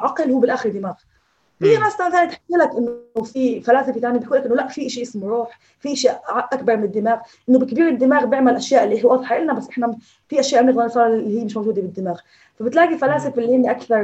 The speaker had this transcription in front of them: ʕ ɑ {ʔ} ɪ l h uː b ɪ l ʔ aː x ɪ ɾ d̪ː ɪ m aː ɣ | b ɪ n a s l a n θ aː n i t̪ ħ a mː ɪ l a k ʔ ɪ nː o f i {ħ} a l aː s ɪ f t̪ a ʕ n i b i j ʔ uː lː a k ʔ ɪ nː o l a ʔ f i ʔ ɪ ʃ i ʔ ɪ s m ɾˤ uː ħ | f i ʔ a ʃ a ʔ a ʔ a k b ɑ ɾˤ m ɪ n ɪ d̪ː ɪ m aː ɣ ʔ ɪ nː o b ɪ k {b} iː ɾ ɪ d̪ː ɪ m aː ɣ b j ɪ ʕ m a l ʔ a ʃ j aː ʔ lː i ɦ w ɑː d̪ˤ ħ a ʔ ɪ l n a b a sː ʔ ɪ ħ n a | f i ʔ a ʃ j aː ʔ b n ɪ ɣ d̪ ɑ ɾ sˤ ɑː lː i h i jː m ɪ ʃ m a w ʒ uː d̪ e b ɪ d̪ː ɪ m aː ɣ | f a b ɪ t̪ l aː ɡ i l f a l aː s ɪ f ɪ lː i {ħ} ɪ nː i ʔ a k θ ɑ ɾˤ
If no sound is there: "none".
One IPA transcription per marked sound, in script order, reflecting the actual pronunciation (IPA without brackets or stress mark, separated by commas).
q, f, b, h